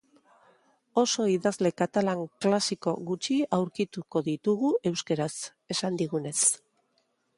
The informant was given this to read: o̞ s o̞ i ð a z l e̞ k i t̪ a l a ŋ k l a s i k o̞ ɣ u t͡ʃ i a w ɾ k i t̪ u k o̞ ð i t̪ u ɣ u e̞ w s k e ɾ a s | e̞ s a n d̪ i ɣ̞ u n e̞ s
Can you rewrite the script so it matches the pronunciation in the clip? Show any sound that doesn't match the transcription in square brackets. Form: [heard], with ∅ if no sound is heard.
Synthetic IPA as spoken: o̞ s o̞ i ð a z l e̞ k [a] t̪ a l a ŋ k l a s i k o̞ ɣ u t͡ʃ i a w ɾ k i t̪ u k o̞ ð i t̪ u ɣ u e̞ w s k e ɾ a s | e̞ s a n d̪ i ɣ̞ u n e̞ s

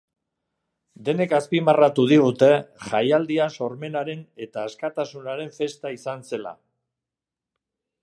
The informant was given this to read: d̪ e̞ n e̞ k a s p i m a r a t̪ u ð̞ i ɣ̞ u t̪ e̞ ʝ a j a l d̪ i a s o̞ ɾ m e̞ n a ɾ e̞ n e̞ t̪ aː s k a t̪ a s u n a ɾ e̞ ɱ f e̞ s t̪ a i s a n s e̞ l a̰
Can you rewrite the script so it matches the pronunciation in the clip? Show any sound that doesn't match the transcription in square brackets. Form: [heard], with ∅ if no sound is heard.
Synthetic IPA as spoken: d̪ e̞ n e̞ k a s p i m a r a t̪ u ð̞ i ɣ̞ u t̪ e̞ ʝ a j a l d̪ i a s o̞ ɾ m e̞ n a ɾ e̞ n e̞ t̪ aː s k a t̪ a s u n a ɾ e̞ ɱ f e̞ s t̪ a i s a n s e̞ l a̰

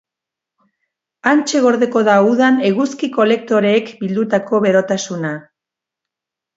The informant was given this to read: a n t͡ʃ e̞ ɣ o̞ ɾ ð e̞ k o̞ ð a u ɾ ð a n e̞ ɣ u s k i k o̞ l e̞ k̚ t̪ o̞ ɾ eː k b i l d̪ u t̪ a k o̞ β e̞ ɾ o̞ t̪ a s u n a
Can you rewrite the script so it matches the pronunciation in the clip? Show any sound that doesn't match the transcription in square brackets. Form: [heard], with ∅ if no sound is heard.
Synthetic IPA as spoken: a n t͡ʃ e̞ ɣ o̞ ɾ ð e̞ k o̞ ð a u [∅] ð a n e̞ ɣ u s k i k o̞ l e̞ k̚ t̪ o̞ ɾ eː k b i l d̪ u t̪ a k o̞ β e̞ ɾ o̞ t̪ a s u n a

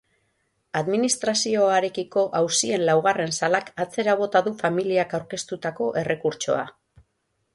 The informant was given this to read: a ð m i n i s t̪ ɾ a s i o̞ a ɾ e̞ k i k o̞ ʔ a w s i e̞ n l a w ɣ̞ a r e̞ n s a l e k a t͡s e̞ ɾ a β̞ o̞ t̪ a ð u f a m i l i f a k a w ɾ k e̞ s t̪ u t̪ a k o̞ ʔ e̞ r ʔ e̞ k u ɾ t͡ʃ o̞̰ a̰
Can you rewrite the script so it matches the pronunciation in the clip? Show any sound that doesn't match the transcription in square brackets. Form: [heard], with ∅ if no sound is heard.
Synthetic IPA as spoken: a ð m i n i s t̪ ɾ a s i o̞ a ɾ e̞ k i k o̞ ʔ a w s i e̞ n l a w ɣ̞ a r e̞ n s a l [a] k a t͡s e̞ ɾ a β̞ o̞ t̪ a ð u f a m i l i [∅] a k a w ɾ k e̞ s t̪ u t̪ a k o̞ ʔ e̞ r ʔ e̞ k u ɾ t͡ʃ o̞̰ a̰

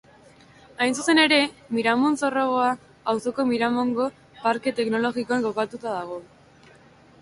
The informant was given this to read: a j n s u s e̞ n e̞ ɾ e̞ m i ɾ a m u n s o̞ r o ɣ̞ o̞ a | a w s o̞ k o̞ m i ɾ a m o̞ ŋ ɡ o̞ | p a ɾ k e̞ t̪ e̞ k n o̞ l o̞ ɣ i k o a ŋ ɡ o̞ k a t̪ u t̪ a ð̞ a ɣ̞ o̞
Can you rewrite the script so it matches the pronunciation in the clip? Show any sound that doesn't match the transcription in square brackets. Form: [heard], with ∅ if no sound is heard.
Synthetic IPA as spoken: a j n s u s e̞ n e̞ ɾ e̞ m i ɾ a m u n s o̞ r o ɣ̞ o̞ a | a w s o̞ k o̞ m i ɾ a m o̞ ŋ ɡ o̞ | p a ɾ k e̞ t̪ e̞ k n o̞ l o̞ ɣ i k o a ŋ ɡ o̞ k a t̪ u t̪ a ð̞ a ɣ̞ o̞

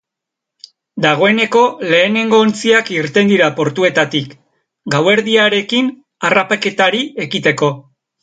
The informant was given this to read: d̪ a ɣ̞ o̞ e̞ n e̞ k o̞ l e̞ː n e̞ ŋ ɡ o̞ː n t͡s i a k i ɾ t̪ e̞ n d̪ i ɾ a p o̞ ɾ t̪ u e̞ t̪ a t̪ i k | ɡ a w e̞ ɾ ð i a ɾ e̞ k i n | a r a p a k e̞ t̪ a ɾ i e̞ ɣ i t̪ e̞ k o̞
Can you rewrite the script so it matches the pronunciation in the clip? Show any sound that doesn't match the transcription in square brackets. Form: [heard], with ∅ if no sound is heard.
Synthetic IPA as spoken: d̪ a ɣ̞ o̞ e̞ n e̞ k o̞ l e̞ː n e̞ ŋ ɡ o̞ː n t͡s i a k i ɾ t̪ e̞ n d̪ i ɾ a p o̞ ɾ t̪ u e̞ t̪ a t̪ i k | ɡ a w e̞ ɾ ð i a ɾ e̞ k i n | a r a p a k e̞ t̪ a ɾ i e̞ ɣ i t̪ e̞ k o̞

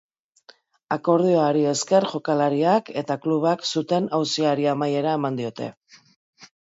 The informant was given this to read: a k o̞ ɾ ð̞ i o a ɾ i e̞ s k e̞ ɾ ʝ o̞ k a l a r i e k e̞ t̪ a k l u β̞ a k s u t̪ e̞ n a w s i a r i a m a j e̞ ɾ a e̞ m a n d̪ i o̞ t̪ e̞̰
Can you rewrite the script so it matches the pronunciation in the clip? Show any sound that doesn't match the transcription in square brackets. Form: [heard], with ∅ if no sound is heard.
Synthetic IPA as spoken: a k o̞ ɾ ð̞ i o a ɾ i e̞ s k e̞ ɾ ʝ o̞ k a l a [ɾ] i [a] k e̞ t̪ a k l u β̞ a k s u t̪ e̞ n a w s i a [ɾ] i a m a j e̞ ɾ a e̞ m a n d̪ i o̞ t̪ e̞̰

